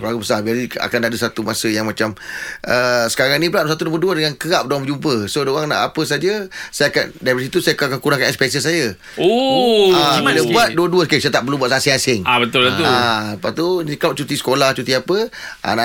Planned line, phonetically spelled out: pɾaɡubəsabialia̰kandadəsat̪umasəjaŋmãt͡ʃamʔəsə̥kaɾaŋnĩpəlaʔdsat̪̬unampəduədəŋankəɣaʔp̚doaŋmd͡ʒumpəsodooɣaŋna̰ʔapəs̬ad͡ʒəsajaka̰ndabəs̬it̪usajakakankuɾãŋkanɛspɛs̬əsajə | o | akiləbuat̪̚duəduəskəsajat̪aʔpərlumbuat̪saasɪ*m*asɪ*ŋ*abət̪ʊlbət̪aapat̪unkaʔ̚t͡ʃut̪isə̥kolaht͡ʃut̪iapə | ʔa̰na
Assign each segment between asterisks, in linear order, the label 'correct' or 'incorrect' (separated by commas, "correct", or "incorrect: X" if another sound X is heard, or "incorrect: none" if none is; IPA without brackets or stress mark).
incorrect: ŋ, correct